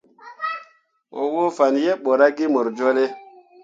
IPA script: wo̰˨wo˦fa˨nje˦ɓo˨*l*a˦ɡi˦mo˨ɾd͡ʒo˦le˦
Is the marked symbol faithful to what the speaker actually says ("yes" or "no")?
no